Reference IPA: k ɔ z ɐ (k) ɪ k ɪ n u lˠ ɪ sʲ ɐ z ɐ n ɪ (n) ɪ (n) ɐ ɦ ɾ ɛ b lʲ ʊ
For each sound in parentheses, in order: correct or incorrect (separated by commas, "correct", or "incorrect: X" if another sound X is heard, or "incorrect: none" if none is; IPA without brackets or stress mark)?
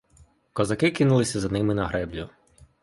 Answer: correct, incorrect: m, correct